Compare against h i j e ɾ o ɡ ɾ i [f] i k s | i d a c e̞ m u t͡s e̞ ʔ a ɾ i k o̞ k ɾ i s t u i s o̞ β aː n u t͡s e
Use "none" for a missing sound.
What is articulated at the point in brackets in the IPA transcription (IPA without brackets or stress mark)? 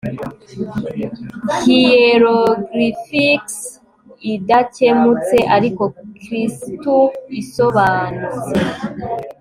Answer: f